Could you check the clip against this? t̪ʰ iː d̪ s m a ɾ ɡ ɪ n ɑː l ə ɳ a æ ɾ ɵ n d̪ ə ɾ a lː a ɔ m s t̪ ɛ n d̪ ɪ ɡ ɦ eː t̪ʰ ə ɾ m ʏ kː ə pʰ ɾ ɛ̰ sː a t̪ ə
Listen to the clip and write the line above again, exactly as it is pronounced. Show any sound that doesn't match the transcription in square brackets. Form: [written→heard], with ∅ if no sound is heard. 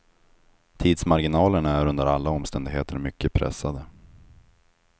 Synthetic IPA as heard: t̪ʰ iː d̪ s m a ɾ ɡ ɪ n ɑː l ə ɳ a æ ɾ ɵ n d̪ ə ɾ a lː a ɔ m s t̪ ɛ n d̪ ɪ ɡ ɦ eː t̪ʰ ə ɾ m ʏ kː ə pʰ ɾ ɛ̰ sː a [t̪→d̪] ə